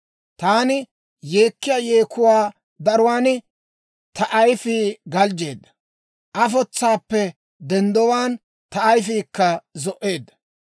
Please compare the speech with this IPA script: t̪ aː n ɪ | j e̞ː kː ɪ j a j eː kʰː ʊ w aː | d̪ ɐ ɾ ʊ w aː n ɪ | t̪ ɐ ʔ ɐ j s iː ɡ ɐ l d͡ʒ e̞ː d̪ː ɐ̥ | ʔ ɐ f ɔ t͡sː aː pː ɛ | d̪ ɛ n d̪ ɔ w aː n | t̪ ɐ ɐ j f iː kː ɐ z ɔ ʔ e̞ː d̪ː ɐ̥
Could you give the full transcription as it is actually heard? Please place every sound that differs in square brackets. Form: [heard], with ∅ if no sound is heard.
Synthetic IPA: t̪ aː n ɪ | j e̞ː kː ɪ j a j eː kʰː ʊ w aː | d̪ ɐ ɾ ʊ w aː n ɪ | t̪ ɐ ʔ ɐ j [f] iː ɡ ɐ l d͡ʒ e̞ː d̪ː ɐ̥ | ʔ ɐ f ɔ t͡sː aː pː ɛ | d̪ ɛ n d̪ ɔ w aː n | t̪ ɐ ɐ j f iː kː ɐ z ɔ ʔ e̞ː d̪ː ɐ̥